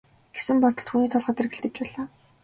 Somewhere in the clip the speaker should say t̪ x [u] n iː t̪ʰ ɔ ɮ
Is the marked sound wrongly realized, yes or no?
yes